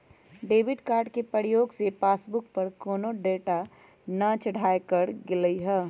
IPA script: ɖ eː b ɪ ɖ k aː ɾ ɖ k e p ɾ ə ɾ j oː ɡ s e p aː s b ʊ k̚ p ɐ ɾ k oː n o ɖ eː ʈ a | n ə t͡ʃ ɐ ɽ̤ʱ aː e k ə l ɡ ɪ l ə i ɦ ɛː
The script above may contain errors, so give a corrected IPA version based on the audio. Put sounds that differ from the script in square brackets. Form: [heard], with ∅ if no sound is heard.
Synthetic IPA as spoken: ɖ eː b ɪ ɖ k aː ɾ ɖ k e p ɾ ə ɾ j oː ɡ s e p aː s b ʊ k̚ p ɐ ɾ k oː n o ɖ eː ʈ a | n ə t͡ʃ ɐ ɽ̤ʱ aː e k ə [ɾ] ɡ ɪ l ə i ɦ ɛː